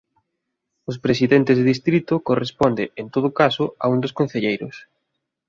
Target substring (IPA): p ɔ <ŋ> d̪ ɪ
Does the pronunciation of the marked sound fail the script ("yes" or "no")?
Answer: yes